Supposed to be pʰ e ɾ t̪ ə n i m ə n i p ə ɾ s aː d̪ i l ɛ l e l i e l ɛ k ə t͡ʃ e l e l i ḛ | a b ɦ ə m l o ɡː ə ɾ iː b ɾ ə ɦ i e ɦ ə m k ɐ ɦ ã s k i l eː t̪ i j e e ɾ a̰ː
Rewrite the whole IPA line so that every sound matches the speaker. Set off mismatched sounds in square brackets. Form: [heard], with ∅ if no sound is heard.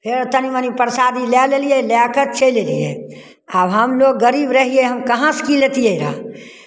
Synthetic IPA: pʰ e ɾ t̪ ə n i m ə n i p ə ɾ s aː d̪ i l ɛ l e l i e l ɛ k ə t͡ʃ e l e l i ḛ | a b ɦ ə m l o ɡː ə ɾ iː b ɾ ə ɦ i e ɦ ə m k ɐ ɦ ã s k i l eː t̪ i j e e ɾ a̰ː